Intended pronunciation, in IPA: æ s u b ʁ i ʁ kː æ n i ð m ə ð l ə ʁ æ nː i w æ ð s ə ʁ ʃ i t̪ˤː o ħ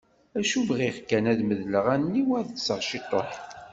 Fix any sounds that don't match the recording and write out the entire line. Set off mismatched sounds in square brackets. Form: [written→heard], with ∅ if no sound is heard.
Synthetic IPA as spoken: æ [s→ʃ] u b ʁ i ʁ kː æ n [i→æ] ð m ə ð l ə ʁ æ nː i w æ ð s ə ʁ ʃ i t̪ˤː o ħ